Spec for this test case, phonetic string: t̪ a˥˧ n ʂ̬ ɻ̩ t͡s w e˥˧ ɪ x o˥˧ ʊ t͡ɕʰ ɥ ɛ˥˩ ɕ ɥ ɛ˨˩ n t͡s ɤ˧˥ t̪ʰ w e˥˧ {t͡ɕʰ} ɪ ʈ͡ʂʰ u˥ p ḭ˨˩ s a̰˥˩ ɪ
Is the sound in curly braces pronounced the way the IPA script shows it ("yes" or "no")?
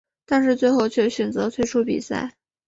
no